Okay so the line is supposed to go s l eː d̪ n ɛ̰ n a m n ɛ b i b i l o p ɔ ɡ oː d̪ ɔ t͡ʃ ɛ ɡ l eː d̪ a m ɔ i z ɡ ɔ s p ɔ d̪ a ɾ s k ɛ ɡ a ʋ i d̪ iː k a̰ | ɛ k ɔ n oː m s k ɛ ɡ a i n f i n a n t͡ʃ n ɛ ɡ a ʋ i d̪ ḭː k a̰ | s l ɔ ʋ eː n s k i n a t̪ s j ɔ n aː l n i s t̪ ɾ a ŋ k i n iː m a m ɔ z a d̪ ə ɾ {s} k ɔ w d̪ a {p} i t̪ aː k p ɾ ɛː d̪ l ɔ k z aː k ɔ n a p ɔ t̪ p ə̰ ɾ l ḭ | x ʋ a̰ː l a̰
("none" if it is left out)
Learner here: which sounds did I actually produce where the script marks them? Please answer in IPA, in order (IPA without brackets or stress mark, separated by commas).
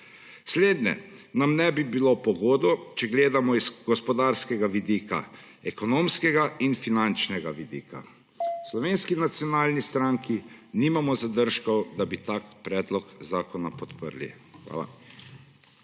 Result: ʃ, b